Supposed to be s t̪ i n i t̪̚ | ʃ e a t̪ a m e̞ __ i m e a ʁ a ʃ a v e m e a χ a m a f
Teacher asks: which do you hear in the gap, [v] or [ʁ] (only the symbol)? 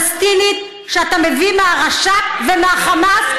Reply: v